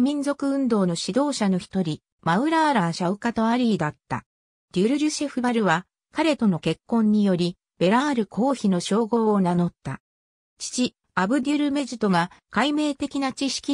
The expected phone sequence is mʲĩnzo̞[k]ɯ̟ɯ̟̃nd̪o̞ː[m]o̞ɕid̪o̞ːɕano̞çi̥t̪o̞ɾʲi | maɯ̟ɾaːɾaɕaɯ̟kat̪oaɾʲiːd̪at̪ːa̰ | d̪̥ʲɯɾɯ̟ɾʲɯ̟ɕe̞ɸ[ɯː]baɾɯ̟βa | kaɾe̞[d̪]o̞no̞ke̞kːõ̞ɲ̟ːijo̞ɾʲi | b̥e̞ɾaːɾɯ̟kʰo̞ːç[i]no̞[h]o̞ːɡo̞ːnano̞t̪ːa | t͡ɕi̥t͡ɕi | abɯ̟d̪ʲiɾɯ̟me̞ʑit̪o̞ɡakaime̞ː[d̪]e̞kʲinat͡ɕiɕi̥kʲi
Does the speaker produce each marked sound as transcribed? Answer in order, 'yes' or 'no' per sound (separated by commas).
yes, no, no, no, yes, no, no